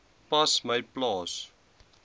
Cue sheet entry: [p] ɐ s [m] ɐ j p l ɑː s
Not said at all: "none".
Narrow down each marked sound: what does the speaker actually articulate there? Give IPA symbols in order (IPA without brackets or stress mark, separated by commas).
p, m